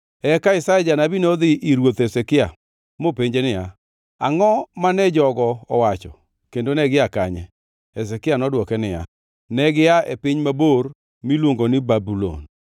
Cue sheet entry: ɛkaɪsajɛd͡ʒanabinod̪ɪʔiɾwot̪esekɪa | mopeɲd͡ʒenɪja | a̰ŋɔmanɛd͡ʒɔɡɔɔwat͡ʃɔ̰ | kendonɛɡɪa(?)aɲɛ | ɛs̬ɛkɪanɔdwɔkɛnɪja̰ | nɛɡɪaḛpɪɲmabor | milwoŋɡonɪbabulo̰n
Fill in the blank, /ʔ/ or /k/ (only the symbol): k